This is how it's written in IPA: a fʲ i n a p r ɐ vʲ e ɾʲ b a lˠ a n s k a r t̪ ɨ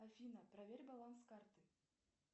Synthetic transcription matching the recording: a fʲ i n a p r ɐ vʲ e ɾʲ b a lˠ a n s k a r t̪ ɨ